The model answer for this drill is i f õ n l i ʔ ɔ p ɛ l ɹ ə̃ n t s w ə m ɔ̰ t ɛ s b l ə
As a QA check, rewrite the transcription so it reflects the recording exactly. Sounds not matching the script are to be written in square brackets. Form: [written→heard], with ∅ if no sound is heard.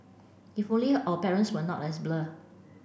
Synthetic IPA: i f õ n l i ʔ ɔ p ɛ [l→∅] ɹ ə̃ n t s w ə [m→n] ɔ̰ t ɛ s b l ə